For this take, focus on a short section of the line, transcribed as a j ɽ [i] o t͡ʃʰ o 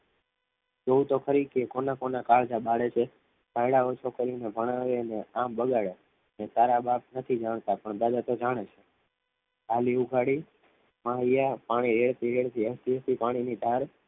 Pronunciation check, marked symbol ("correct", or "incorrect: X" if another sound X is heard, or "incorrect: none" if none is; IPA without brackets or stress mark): incorrect: a